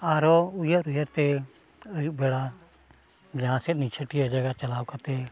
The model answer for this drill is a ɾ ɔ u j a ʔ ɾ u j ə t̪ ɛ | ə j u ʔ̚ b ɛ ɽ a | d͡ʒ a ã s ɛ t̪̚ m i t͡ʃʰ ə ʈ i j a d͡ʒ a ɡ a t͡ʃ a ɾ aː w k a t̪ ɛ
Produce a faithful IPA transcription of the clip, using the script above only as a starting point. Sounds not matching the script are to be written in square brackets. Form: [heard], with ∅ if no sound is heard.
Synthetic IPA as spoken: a ɾ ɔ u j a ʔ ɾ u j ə t̪ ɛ | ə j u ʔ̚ b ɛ ɽ a | d͡ʒ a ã s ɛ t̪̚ [n] i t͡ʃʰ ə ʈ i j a d͡ʒ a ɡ a t͡ʃ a [l] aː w k a t̪ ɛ